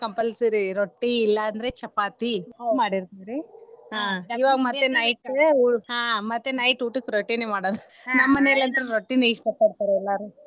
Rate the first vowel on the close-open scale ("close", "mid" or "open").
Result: open